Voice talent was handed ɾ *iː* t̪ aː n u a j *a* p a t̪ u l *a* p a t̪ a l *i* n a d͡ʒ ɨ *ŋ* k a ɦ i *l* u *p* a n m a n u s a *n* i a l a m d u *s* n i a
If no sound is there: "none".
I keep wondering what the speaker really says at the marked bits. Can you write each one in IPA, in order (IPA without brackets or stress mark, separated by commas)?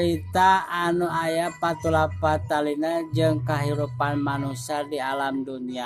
i, a, a, i, ŋ, ɾ, p, d, none